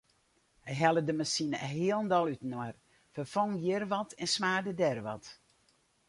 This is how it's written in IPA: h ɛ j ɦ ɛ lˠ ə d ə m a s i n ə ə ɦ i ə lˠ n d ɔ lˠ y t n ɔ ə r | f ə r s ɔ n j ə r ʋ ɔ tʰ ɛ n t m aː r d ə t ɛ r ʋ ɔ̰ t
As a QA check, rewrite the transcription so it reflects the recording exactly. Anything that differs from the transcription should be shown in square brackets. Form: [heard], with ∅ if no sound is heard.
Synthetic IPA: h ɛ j ɦ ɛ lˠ ə d ə m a s i n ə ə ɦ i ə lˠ n d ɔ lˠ y t n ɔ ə r | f ə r [f] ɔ [ŋ] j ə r ʋ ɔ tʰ ɛ n [s] m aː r d ə [d] ɛ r ʋ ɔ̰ t